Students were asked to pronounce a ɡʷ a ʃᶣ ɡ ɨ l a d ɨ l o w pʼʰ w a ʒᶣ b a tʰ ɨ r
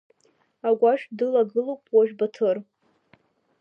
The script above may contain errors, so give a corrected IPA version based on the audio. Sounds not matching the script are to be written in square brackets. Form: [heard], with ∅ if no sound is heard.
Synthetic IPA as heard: a ɡʷ a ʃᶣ [d] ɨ l a [ɡ] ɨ l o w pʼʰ w a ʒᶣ b a tʰ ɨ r